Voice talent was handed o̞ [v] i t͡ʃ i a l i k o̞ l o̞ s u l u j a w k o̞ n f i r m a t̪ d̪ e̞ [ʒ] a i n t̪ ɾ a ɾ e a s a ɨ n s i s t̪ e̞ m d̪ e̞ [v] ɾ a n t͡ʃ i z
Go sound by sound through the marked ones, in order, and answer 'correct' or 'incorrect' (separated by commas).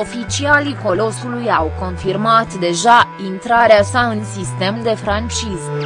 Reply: incorrect, correct, incorrect